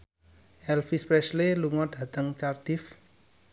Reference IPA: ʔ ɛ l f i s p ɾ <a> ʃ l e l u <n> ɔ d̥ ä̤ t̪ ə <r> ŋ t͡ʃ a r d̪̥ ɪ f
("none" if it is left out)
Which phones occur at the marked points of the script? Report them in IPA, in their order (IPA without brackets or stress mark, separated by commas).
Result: ɛ, ŋ, none